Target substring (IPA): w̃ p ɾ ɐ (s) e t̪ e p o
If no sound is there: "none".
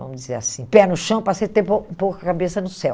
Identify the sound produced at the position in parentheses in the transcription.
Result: s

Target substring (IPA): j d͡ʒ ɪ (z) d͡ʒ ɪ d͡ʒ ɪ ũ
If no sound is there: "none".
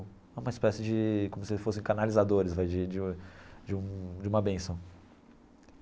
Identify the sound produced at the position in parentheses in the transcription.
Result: none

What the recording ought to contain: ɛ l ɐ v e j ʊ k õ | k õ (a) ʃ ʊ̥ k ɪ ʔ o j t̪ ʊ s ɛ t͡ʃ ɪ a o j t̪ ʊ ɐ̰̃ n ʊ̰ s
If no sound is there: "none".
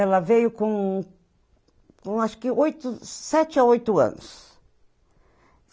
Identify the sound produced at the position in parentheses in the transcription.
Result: a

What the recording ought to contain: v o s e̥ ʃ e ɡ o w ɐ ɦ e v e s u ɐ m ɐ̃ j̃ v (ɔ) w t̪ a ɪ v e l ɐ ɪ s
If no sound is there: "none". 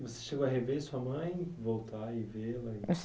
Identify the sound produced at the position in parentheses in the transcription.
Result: o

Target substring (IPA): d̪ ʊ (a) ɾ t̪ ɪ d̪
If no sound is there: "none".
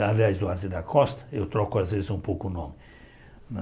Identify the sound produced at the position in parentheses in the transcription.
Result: a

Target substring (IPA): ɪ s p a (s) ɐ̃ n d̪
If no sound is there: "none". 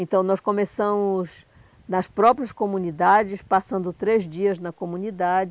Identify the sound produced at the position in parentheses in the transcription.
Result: s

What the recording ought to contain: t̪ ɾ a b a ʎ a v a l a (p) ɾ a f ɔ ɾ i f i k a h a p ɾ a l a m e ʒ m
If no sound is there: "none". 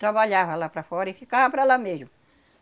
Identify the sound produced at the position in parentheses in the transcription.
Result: p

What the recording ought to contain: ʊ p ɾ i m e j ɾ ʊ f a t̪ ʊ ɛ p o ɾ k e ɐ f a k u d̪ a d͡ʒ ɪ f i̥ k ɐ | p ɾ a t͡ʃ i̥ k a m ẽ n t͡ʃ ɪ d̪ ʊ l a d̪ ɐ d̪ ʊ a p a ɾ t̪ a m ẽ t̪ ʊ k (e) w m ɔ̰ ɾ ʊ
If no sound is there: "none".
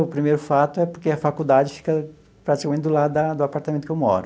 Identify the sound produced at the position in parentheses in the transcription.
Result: e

